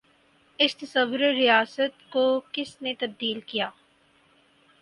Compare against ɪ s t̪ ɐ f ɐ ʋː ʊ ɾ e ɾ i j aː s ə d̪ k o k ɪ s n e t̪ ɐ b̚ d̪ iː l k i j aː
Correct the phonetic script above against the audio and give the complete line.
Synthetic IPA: ɪ s t̪ ɐ s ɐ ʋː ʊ ɾ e ɾ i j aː s ə t̪ k o k ɪ s n e t̪ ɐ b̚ d̪ iː l k i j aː